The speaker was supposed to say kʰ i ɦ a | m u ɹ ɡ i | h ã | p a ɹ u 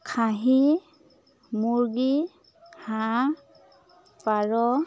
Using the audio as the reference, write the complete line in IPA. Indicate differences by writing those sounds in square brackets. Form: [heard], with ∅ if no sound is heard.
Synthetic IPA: kʰ [a] ɦ [i] | m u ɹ ɡ i | h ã | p a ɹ [ɔ]